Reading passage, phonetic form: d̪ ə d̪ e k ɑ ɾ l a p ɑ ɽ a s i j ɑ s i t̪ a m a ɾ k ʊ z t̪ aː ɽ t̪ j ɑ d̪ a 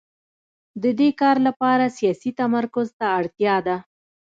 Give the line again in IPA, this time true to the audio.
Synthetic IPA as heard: d̪ ə d̪ e k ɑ ɾ l a p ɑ ɾ a s i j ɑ s i t̪ a m a ɾ k ʊ z t̪ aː ɽ t̪ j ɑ d̪ a